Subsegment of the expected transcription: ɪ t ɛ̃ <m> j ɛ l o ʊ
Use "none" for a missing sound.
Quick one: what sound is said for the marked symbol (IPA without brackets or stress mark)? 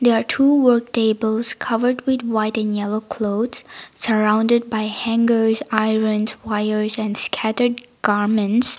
n